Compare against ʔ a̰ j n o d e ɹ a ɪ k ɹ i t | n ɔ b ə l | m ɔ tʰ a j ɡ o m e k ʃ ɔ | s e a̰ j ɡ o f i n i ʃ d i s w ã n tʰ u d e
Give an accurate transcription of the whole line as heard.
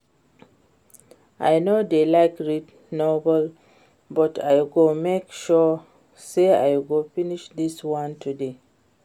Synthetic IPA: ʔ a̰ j n o d e l a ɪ k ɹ i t | n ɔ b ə l | b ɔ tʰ a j ɡ o m e k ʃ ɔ | s e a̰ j ɡ o f i n i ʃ d i s w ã n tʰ u d e